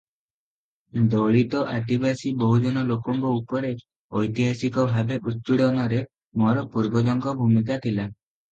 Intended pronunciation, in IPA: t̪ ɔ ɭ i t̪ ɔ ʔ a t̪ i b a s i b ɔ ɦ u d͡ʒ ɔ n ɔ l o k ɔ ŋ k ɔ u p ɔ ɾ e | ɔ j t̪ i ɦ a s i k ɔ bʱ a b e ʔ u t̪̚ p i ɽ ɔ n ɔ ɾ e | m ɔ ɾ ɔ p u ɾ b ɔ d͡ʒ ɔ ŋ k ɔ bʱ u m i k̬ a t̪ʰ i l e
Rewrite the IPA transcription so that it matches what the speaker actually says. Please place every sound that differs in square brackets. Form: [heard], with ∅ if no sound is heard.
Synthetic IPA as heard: [d̪] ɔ ɭ i t̪ ɔ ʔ a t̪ i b a s i b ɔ ɦ u d͡ʒ ɔ n ɔ l o k ɔ ŋ k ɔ u p ɔ ɾ e | ɔ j t̪ i ɦ a s i k ɔ bʱ a b e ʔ u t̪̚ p i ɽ ɔ n ɔ ɾ e | m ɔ ɾ ɔ p u ɾ b ɔ d͡ʒ ɔ ŋ k ɔ bʱ u m i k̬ a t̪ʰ i l [a]